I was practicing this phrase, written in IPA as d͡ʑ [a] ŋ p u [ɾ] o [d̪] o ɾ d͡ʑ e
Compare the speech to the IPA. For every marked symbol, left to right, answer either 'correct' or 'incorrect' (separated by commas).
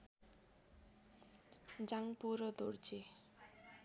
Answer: correct, correct, correct